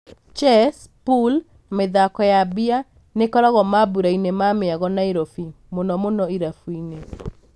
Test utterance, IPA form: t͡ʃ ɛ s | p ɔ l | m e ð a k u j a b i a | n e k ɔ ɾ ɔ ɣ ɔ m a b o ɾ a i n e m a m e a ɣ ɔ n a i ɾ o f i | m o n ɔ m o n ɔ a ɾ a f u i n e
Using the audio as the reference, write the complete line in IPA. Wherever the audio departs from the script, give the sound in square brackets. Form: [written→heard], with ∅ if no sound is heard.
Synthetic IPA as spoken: t͡ʃ ɛ s | p [ɔ→u] l | m e ð a k [u→ɔ] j a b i a | n e k ɔ ɾ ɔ ɣ ɔ m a b [o→u] ɾ a i n e m a m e a ɣ ɔ n a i ɾ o f i | m o n ɔ m o n ɔ [a→i] ɾ a f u i n e